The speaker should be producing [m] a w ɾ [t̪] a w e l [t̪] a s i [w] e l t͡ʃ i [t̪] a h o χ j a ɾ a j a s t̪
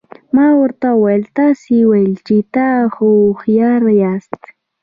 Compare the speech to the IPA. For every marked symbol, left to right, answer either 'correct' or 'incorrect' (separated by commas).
correct, correct, correct, correct, correct